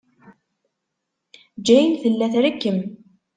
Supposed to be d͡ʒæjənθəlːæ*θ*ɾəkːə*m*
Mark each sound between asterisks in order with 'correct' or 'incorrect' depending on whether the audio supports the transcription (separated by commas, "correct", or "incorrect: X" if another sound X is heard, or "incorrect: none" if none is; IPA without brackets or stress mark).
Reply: correct, correct